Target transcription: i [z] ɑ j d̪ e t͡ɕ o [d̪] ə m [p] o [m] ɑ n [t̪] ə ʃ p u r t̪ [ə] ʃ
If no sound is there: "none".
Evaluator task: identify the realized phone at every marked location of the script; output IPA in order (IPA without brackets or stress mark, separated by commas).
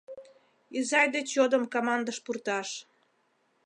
z, d̪, k, m, d̪, ɑ